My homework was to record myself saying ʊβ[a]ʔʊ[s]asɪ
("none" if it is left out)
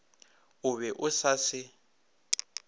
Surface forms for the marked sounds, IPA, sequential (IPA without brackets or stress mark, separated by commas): ɛ, s